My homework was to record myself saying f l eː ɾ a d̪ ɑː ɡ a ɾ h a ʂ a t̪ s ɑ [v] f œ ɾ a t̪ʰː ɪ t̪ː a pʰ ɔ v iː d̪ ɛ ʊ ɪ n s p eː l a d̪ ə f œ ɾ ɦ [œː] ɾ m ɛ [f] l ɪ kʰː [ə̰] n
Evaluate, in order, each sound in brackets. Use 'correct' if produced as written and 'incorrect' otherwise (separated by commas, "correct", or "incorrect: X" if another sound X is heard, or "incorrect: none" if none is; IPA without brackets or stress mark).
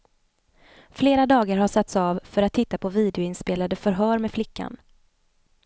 correct, correct, correct, incorrect: a̰